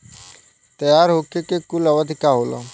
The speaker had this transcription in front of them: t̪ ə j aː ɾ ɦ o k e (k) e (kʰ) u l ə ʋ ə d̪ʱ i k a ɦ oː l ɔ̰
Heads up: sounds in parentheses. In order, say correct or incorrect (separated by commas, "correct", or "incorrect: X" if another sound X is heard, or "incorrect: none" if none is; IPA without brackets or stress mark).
correct, incorrect: k